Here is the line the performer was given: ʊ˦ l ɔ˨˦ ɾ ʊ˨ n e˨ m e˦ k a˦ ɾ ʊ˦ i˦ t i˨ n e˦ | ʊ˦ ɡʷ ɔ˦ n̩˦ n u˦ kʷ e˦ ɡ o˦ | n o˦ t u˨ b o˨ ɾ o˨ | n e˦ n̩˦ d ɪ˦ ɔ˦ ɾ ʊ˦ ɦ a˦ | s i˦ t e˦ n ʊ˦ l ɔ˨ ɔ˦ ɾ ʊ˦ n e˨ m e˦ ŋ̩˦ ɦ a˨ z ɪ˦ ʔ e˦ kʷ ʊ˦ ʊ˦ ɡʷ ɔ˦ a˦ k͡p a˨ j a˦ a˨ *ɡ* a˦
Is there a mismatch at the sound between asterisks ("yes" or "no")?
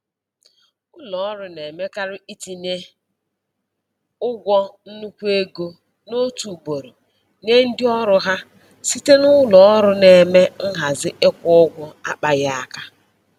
yes